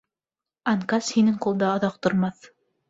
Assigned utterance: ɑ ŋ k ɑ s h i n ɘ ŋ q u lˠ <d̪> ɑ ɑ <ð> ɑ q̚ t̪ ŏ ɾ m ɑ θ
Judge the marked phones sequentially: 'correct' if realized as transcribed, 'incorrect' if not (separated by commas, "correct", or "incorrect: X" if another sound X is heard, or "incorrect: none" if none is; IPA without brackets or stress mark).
correct, correct